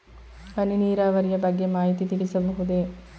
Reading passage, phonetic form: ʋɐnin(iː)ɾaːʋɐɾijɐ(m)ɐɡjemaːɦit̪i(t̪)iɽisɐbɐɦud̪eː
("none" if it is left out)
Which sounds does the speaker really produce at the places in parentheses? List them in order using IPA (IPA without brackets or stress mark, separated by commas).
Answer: iː, b, t̪